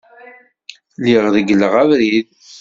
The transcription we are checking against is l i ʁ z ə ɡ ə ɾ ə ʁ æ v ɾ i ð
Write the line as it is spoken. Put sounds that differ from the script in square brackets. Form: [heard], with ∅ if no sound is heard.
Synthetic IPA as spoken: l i ʁ [ð] ə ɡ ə [l] ə ʁ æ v ɾ i ð